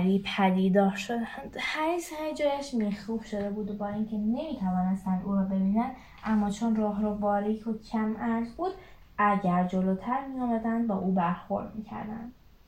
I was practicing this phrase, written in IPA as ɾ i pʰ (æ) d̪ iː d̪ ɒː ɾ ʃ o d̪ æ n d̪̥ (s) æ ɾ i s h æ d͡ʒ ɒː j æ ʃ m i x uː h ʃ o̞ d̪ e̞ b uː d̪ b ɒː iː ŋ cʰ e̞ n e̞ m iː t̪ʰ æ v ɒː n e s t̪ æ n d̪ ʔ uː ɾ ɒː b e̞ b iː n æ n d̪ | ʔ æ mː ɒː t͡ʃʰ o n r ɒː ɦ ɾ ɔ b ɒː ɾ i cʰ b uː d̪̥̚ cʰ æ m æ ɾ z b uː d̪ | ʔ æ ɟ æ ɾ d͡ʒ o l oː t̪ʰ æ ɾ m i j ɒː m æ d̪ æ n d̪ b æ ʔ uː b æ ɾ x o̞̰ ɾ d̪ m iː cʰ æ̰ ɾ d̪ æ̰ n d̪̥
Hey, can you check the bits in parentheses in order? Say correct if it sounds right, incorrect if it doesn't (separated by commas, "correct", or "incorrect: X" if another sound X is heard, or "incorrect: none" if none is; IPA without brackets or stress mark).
correct, incorrect: h